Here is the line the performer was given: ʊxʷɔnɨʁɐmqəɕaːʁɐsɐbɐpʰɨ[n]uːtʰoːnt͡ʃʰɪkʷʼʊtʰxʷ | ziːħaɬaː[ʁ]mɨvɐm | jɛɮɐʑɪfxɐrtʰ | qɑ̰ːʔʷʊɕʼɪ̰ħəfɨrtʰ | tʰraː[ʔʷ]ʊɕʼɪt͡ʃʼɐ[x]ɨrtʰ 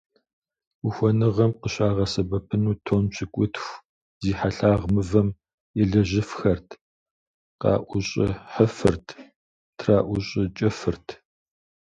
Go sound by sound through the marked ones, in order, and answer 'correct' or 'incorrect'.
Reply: correct, correct, correct, incorrect: f

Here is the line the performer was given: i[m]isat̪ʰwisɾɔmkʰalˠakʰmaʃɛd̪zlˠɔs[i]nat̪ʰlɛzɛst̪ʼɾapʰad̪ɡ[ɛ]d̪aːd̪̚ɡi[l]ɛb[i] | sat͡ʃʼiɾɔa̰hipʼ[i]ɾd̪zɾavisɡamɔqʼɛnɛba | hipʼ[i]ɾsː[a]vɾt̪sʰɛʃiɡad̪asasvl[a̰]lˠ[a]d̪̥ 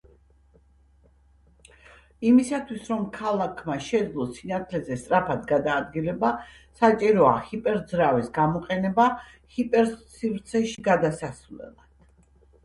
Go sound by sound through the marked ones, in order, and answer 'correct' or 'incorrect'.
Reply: correct, correct, incorrect: a, correct, incorrect: a, incorrect: ɛ, incorrect: ɛ, incorrect: i, incorrect: ɛ̰, correct

